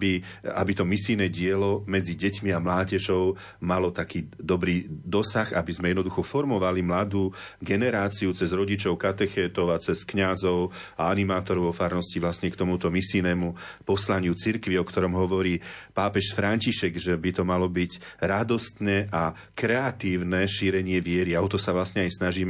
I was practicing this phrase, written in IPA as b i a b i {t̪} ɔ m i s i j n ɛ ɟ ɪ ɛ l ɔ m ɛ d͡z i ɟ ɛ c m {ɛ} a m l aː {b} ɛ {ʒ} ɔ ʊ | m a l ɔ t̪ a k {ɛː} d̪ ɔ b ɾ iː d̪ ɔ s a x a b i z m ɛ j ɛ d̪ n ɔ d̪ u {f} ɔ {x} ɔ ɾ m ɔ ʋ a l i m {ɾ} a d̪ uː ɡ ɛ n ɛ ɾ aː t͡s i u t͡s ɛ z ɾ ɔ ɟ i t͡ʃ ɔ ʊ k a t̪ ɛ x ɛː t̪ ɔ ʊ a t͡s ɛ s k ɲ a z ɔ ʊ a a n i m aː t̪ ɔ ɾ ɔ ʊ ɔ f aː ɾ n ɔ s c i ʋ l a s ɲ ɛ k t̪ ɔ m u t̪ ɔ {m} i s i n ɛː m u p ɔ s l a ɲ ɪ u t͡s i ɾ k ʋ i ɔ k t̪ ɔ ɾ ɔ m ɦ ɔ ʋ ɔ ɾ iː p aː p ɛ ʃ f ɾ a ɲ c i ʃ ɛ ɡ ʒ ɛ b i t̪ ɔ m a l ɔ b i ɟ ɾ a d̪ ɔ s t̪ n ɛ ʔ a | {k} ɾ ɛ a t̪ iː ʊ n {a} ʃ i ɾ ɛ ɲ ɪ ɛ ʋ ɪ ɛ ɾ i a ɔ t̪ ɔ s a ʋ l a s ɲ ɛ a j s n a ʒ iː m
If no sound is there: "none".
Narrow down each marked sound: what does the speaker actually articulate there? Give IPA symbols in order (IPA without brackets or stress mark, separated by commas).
t̪, i, ɟ, ʒ, iː, x, f, l, m, k, ɛ